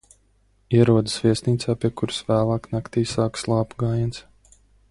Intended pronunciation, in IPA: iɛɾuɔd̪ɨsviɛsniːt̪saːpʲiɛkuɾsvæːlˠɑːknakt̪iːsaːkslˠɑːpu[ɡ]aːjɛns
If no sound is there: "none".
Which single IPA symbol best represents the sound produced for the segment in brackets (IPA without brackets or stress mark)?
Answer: ɡ